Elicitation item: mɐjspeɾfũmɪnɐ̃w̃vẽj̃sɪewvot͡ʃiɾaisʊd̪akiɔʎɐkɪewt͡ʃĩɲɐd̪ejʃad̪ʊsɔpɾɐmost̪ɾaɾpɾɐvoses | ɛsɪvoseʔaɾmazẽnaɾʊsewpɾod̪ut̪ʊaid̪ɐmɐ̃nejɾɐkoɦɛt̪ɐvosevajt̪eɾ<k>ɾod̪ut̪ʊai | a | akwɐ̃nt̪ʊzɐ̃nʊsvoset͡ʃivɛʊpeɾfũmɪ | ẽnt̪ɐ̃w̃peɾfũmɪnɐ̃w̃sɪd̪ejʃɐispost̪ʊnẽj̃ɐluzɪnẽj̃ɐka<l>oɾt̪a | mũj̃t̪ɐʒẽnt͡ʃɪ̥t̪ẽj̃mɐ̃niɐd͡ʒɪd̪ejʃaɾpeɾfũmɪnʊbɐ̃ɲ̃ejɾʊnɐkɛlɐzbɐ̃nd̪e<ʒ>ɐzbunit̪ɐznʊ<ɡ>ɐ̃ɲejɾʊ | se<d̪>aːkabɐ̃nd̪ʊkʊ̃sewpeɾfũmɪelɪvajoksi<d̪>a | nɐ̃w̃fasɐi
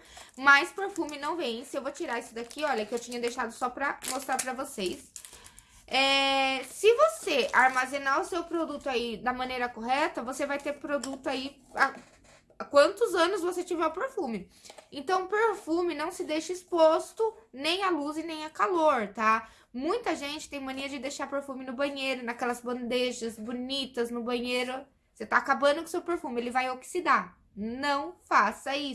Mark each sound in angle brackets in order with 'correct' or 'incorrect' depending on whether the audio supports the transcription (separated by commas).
incorrect, correct, correct, incorrect, incorrect, correct